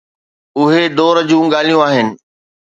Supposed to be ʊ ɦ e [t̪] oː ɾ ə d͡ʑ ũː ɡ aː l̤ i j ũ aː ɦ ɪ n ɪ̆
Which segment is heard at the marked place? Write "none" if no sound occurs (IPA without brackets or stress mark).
d̪